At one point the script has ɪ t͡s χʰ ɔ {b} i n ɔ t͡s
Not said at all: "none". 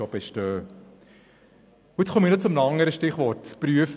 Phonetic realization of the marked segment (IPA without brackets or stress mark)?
m